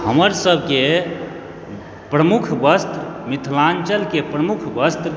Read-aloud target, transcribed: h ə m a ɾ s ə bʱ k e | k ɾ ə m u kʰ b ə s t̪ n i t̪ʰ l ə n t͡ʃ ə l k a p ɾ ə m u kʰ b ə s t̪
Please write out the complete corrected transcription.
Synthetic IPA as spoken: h ə m ə ɾ s ə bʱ k e | p ɾ ə m u kʰ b ə s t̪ m i t̪ʰ l a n t͡ʃ ə l k e p ɾ ə m u kʰ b ə s t̪